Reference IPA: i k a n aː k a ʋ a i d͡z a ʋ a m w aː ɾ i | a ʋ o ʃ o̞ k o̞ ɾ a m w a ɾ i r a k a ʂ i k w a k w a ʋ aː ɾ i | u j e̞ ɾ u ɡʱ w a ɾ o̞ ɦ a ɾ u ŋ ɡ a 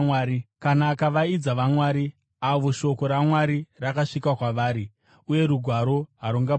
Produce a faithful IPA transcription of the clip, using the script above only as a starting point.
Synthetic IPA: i k a n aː k a ʋ a i d͡z a ʋ a m w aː ɾ i | a ʋ o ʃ o̞ k o̞ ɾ a m w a ɾ i r a k a ʂ i k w a k w a ʋ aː ɾ i | u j e̞ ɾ u ɡʱ w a ɾ o̞ ɦ a ɾ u ŋ ɡ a